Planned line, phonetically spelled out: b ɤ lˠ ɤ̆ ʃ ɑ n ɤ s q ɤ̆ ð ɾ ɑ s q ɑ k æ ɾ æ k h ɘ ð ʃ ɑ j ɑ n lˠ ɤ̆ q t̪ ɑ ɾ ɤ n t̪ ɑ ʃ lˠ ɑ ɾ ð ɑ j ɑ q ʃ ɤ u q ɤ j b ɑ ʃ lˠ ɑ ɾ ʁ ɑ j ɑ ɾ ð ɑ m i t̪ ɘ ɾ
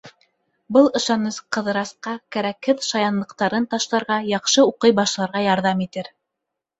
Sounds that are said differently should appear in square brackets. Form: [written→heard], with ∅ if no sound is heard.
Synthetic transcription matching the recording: b ɤ lˠ ɤ̆ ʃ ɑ n ɤ s q ɤ̆ ð ɾ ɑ s q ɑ k æ ɾ æ k h ɘ ð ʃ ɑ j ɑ n lˠ ɤ̆ q t̪ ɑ ɾ ɤ n t̪ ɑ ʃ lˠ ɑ ɾ [ð→ʁ] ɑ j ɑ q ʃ ɤ u q ɤ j b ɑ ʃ lˠ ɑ ɾ ʁ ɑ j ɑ ɾ ð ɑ m i t̪ ɘ ɾ